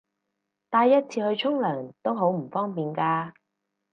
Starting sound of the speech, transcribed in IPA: t̪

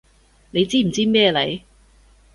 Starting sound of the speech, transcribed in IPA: n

